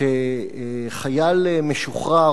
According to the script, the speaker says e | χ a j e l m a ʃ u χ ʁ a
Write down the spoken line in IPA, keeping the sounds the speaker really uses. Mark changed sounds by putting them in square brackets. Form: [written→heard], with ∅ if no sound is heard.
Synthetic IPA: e | χ a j [e→a] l m [a→e] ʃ u χ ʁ a